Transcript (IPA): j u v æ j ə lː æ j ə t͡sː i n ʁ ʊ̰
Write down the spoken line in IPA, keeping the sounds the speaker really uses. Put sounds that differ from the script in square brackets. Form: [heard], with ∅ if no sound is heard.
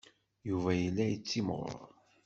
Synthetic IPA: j u v æ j ə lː æ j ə t͡sː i [m] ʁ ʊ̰